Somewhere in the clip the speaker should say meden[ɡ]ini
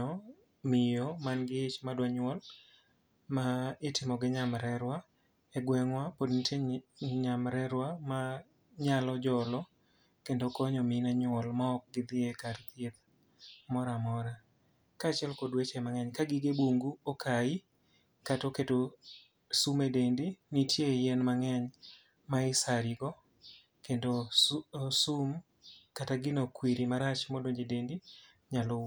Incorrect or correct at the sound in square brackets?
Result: incorrect: d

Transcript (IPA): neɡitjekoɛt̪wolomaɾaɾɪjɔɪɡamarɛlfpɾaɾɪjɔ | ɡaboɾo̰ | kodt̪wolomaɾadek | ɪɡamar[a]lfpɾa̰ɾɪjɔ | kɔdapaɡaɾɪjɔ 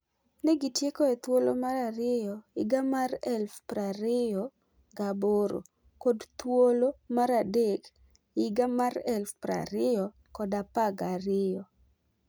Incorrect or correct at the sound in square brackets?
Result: incorrect: ɛ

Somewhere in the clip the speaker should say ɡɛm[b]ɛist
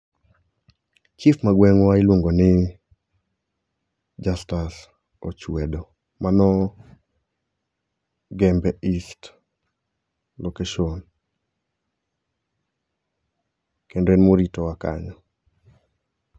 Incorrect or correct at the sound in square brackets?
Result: correct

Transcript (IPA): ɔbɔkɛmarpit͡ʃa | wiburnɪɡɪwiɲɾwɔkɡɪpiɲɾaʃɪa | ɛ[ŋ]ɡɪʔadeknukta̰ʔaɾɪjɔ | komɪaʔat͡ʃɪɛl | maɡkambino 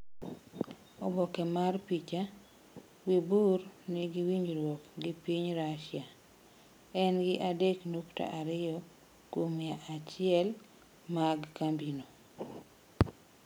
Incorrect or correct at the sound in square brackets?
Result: incorrect: n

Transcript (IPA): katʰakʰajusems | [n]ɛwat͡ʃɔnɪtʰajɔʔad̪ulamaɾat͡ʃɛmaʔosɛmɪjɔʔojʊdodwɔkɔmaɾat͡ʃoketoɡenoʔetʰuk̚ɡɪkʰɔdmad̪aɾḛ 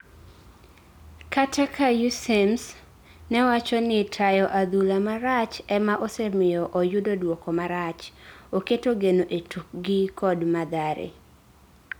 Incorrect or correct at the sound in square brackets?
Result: correct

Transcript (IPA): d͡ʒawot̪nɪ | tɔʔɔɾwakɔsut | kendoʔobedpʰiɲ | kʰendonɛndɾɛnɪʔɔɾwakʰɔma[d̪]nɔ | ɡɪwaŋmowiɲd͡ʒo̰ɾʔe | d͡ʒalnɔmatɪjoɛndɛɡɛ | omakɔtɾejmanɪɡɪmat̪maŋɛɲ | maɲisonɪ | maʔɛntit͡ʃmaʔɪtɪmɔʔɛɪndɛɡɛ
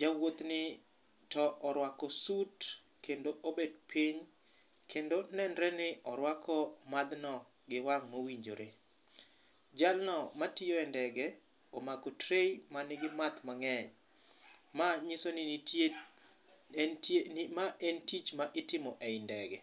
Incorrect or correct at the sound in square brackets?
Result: correct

